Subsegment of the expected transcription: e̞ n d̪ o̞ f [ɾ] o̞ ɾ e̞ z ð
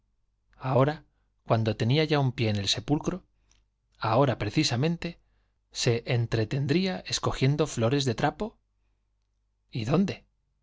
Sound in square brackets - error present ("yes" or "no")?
yes